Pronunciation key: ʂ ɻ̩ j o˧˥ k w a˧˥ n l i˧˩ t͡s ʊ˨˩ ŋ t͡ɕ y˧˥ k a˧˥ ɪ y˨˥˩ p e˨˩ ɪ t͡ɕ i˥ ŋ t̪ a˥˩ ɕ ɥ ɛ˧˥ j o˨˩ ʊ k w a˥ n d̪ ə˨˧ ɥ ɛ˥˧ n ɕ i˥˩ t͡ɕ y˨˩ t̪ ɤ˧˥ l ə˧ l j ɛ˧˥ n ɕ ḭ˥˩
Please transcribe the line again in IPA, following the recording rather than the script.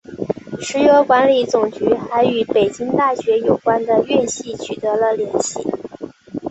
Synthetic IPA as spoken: ʂ ɻ̩ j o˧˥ k w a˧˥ n l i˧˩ t͡s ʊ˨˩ ŋ t͡ɕ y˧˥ x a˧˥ ɪ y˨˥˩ p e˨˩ ɪ t͡ɕ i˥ ŋ t̪ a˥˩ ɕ ɥ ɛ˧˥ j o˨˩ ʊ k w a˥ n d̪ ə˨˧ ɥ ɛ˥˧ n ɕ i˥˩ t͡ɕʰ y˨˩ t̪ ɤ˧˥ l ə˧ l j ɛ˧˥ n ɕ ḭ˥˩

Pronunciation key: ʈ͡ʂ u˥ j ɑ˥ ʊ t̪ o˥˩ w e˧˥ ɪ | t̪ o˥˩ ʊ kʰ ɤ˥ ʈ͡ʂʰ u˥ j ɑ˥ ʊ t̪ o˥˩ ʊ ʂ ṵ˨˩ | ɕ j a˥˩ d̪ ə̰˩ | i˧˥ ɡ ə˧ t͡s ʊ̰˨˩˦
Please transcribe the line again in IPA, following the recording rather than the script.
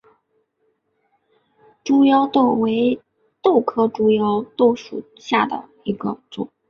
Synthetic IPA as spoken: ʈ͡ʂ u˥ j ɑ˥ ʊ t̪ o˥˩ w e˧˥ ɪ | t̪ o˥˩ ʊ kʰ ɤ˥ ʈ͡ʂ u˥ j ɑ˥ ʊ t̪ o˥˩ ʊ ʂ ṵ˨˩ | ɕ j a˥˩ d̪ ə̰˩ | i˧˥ ɡ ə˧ t͡s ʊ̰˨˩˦

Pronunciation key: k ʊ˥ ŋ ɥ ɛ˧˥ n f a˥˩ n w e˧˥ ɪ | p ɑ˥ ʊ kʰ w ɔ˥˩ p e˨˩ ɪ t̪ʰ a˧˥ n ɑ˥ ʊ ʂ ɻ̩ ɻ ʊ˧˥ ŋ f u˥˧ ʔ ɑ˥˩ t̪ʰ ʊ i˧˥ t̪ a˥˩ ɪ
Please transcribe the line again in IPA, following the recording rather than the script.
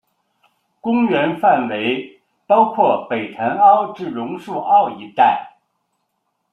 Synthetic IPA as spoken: k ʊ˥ ŋ ɥ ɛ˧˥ n f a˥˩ n w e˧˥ ɪ | p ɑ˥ ʊ kʰ w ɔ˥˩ p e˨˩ ɪ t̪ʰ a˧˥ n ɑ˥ ʊ ʈ͡ʂ ɻ̩ ɻ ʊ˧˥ ŋ ʂ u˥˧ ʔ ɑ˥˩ ʊ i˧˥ t̪ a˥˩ ɪ

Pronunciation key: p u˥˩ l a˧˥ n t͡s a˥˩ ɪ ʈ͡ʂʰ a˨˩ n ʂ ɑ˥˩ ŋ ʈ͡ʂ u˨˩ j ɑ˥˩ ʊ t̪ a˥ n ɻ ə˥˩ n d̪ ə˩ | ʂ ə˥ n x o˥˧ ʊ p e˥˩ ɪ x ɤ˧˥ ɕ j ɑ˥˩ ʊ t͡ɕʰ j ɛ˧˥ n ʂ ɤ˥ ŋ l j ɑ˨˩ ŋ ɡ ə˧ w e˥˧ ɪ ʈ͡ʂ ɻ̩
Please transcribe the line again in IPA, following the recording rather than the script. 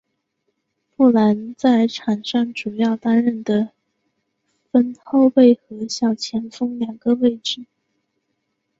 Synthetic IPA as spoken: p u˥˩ l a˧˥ n t͡s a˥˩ ɪ ʈ͡ʂʰ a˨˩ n ʂ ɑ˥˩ ŋ ʈ͡ʂ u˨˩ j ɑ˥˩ ʊ t̪ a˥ n ɻ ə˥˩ n d̪ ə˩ | f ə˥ n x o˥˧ ʊ p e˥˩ ɪ x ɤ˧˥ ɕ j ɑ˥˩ ʊ t͡ɕʰ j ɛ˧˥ n f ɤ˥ ŋ l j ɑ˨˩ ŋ ɡ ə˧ w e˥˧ ɪ ʈ͡ʂ ɻ̩

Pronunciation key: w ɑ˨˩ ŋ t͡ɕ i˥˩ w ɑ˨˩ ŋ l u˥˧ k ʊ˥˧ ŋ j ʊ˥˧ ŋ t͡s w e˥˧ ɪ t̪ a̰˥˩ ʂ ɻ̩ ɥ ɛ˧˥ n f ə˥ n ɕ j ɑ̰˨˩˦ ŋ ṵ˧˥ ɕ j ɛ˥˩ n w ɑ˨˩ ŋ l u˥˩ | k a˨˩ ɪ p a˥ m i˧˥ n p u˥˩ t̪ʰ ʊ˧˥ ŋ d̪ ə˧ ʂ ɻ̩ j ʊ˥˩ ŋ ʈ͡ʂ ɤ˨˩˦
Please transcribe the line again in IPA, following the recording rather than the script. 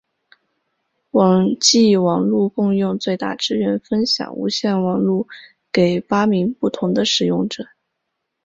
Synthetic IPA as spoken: w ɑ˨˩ ŋ t͡ɕ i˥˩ w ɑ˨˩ ŋ l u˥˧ k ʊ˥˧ ŋ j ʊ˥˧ ŋ t͡s w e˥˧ ɪ t̪ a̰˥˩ ʈ͡ʂ ɻ̩ ɥ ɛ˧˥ n f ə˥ n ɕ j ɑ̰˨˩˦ ŋ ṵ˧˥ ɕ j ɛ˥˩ n w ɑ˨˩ ŋ l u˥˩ | k e˨˩ ɪ p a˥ m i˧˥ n p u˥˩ t̪ʰ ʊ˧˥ ŋ d̪ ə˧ ʂ ɻ̩ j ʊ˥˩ ŋ ʈ͡ʂ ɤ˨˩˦

